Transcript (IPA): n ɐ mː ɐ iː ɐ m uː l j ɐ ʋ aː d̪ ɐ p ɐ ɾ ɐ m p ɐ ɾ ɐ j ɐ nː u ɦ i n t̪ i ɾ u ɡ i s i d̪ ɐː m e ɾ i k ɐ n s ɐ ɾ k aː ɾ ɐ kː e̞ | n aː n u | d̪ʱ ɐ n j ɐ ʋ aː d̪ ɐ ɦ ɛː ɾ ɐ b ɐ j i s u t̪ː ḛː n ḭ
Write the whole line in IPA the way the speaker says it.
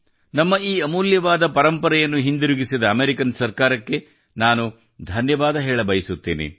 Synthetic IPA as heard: n ɐ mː ɐ iː ɐ m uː l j ɐ ʋ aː d̪ ɐ p ɐ ɾ ɐ m p ɐ ɾ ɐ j ɐ nː u ɦ i n d̪ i ɾ u ɡ i s i d̪ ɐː m e ɾ i k ɐ n s ɐ ɾ k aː ɾ ɐ kː e̞ | n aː n u | d̪ʱ ɐ n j ɐ ʋ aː d̪ ɐ ɦ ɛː ɭ ɐ b ɐ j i s u t̪ː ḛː n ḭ

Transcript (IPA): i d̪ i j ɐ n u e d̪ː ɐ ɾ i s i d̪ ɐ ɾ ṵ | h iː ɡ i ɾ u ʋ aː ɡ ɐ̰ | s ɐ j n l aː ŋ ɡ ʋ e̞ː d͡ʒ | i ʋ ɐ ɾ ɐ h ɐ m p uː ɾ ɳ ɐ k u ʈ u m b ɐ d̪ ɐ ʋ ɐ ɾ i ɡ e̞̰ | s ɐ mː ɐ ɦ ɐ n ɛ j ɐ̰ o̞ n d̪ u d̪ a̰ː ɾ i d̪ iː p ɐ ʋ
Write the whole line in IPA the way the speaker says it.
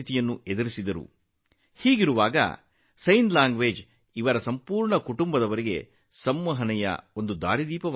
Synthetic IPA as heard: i t̪ i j ɐ nː u e d̪ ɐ ɾ i s i d̪ ɐ ɾ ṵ | h iː ɡ i ɾ u ʋ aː ɡ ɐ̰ | s ɐ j n l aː ŋ ɡ ʋ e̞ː d͡ʒ | i ʋ ɐ ɾ ɐ s ɐ m p uː ɾ ɳ ɐ k u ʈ u m b ɐ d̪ ɐ ʋ ɐ ɾ i ɡ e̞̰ | s ɐ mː ɐ ɦ ɐ n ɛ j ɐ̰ o̞ n d̪ u d̪ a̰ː ɾ i d̪ iː p ɐ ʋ

